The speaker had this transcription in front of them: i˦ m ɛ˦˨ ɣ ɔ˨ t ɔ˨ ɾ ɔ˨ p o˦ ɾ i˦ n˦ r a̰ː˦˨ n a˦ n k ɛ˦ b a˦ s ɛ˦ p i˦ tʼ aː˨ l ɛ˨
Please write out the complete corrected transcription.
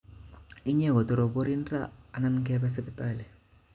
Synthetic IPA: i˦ ɲ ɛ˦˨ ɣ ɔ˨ t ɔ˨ ɾ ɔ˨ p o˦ ɾ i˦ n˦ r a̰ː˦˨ n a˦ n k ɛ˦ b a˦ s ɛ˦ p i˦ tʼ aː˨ l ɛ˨